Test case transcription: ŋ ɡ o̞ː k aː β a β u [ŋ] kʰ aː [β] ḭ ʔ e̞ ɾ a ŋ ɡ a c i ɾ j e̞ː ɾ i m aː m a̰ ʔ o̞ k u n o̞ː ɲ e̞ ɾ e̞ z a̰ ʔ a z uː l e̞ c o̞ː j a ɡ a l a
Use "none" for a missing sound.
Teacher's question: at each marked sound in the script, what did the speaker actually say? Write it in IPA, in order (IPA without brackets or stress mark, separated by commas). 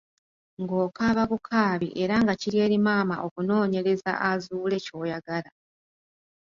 none, β